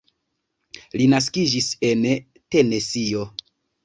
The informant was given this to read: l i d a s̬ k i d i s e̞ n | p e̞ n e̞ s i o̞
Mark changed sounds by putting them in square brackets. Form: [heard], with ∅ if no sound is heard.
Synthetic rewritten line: l i [n] a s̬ k i [d͡ʒ] i s e̞ n | [t] e̞ n e̞ s i o̞